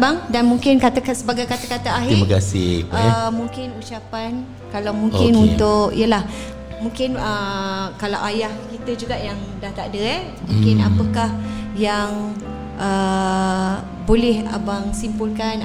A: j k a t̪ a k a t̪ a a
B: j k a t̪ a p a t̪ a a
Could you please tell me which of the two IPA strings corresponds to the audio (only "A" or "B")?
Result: A